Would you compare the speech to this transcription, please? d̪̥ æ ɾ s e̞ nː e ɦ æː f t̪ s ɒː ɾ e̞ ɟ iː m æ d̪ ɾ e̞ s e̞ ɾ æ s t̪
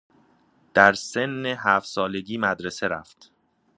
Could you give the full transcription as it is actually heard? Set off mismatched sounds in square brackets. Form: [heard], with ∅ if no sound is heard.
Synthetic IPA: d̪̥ æ ɾ s e̞ nː e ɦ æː f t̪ s ɒː [l] e̞ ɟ iː m æ d̪ ɾ e̞ s e̞ ɾ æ [f] t̪